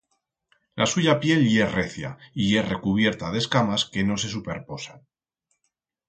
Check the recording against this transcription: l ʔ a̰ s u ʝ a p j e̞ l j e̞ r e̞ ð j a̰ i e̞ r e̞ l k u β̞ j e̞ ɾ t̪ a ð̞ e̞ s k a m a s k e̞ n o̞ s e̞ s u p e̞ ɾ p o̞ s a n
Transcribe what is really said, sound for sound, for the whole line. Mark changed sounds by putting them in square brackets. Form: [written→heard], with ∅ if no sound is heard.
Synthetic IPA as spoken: l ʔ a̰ s u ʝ a p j e̞ l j e̞ r e̞ [ð→θ] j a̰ i e̞ r e̞ [l→∅] k u β̞ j e̞ ɾ t̪ a ð̞ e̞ s k a m a s k e̞ n o̞ s e̞ s u p e̞ ɾ p o̞ s a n